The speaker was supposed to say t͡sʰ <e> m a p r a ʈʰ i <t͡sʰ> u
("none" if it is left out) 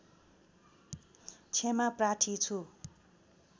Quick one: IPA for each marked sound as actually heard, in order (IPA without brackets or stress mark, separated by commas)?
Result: e, t͡sʰ